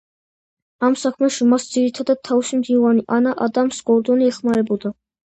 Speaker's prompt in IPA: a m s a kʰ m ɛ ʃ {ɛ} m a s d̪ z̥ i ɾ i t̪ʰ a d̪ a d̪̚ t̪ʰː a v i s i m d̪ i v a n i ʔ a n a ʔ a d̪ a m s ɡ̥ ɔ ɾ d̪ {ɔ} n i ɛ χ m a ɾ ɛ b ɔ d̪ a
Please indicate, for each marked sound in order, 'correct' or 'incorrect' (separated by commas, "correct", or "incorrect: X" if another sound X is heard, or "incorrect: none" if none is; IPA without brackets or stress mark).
incorrect: i, correct